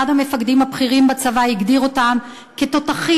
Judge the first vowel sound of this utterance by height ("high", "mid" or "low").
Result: low